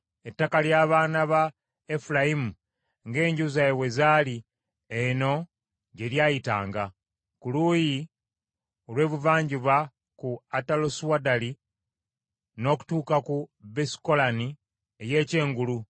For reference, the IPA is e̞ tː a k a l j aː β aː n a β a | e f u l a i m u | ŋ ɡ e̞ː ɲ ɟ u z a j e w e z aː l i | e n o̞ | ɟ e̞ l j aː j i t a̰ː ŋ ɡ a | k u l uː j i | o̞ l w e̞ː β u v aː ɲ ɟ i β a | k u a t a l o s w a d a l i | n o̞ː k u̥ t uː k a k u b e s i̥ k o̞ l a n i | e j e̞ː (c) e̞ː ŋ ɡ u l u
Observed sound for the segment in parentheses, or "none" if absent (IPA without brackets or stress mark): c